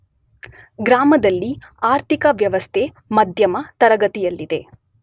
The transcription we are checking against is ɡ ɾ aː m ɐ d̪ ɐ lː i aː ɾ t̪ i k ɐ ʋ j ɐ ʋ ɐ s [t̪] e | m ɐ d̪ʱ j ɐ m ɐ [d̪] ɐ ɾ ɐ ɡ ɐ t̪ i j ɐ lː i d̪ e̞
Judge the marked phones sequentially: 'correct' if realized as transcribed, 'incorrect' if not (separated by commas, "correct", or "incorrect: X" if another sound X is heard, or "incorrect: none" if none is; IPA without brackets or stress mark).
incorrect: t̪ʰ, incorrect: t̪